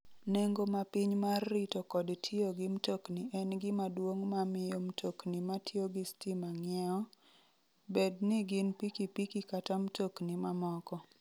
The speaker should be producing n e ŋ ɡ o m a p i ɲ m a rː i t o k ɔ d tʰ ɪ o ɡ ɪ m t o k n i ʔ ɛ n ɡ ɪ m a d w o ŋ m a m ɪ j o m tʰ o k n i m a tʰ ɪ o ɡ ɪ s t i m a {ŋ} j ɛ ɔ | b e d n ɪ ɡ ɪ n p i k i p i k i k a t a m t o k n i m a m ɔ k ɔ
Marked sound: correct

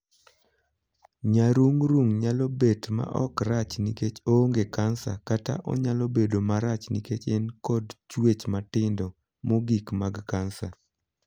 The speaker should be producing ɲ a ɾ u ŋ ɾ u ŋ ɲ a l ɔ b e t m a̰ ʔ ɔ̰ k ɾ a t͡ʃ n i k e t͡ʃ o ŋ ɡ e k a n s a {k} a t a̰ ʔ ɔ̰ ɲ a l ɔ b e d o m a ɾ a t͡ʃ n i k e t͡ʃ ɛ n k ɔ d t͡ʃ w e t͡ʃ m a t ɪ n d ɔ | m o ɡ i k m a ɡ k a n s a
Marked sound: correct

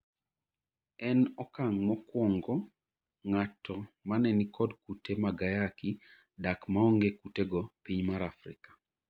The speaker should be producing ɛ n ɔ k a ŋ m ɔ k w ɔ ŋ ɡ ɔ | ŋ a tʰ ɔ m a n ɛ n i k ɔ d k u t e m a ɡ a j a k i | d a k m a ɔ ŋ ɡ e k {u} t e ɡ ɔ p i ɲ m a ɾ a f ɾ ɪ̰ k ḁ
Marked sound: correct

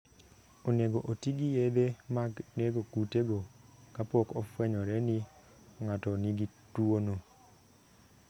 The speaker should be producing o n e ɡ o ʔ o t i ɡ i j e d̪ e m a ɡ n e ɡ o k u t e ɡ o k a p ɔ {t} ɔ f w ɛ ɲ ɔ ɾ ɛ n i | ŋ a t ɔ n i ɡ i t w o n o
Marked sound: incorrect: k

